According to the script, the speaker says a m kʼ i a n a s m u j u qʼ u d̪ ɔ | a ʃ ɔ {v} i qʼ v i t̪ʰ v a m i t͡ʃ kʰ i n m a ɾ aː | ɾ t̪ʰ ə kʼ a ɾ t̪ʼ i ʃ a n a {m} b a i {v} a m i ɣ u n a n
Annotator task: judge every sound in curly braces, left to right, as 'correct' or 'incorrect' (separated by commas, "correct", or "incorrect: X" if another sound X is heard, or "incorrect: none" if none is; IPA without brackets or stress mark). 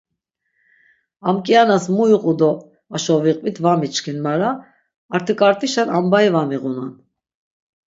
correct, correct, correct